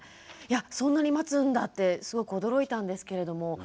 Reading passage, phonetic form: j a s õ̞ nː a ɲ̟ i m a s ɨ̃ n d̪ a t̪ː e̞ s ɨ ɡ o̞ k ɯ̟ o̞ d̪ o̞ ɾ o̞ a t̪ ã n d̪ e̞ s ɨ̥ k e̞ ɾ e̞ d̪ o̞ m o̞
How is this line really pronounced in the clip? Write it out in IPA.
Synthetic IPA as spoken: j a s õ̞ nː a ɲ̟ i m a t͡s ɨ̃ n d̪ a t̪ː e̞ s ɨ ɡ o̞ k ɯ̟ o̞ d̪ o̞ ɾ o̞ i t̪ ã n d̪ e̞ s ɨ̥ k e̞ ɾ e̞ d̪ o̞ m o̞